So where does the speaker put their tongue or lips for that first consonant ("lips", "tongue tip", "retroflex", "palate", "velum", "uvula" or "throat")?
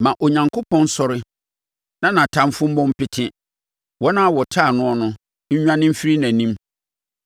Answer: lips